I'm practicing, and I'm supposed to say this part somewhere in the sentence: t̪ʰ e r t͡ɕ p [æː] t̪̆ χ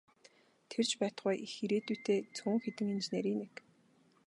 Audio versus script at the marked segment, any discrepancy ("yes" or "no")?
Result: no